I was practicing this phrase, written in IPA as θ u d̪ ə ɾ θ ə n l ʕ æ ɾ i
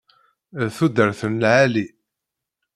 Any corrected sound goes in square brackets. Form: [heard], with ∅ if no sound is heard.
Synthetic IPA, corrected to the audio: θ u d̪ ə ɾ θ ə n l ʕ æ [l] i